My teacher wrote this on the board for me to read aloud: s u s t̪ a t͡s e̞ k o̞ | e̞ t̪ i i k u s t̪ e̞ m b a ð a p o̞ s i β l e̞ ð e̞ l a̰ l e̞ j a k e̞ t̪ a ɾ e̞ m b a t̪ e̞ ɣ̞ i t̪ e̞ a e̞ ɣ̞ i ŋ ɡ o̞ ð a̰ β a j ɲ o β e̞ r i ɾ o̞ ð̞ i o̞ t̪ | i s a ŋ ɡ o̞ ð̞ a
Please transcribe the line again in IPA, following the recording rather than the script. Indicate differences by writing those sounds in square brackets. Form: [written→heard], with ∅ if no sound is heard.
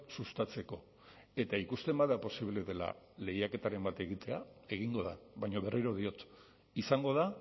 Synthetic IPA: s u s t̪ a t͡s e̞ k o̞ | e̞ t̪ [i→a] i k u s t̪ e̞ m b a ð a p o̞ s i β l e̞ ð e̞ l a̰ l e̞ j a k e̞ t̪ a ɾ e̞ m b a t̪ e̞ ɣ̞ i t̪ e̞ a e̞ ɣ̞ i ŋ ɡ o̞ ð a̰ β a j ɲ o β e̞ r i ɾ o̞ ð̞ i o̞ t̪ | i s a ŋ ɡ o̞ ð̞ a